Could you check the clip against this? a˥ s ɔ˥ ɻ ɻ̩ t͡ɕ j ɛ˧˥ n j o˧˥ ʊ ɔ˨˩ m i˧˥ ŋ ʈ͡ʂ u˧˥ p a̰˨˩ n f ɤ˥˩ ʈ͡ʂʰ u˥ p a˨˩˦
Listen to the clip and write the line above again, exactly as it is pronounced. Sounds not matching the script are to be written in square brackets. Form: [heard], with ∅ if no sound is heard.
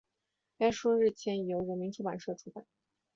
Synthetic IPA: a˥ [ʂ] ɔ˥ ɻ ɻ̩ [t͡ɕʰ] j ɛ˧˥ n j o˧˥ ʊ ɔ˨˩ m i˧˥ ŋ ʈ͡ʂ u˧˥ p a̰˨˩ n [ʂ] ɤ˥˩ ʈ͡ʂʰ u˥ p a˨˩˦